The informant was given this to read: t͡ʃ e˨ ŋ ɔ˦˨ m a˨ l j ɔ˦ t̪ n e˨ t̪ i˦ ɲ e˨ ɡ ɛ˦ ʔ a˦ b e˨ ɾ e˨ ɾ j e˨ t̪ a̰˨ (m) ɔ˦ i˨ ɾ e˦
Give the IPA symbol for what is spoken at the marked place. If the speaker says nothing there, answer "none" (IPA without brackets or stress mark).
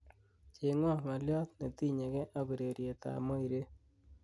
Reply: m